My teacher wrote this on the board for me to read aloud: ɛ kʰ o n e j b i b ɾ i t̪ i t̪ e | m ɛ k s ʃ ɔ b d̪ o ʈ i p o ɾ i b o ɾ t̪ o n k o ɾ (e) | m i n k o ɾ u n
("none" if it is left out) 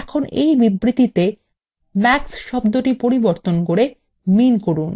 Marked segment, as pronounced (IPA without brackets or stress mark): e